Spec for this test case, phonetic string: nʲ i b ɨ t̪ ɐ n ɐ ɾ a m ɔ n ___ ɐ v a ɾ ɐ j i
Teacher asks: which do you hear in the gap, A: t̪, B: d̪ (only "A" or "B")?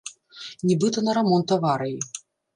A